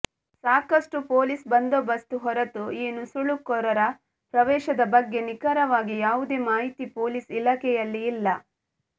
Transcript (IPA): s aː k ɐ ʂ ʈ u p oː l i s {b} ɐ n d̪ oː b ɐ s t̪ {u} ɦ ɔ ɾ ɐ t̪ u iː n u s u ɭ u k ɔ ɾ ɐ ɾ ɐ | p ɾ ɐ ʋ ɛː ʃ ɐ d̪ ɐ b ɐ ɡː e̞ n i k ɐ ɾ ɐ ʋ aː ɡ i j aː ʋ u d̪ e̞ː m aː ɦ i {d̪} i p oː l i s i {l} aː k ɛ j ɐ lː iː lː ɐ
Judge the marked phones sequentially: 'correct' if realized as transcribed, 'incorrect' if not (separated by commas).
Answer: correct, correct, incorrect, correct